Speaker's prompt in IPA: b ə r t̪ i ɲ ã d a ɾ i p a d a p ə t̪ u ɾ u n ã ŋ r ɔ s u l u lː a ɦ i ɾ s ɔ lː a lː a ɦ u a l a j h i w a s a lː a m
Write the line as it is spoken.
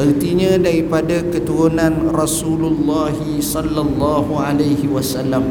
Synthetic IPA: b ə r t̪ i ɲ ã d a ɾ i p a d a k ə t̪ u ɾ u n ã n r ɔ s u l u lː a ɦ i s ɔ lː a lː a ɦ u a l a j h i w a s a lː a m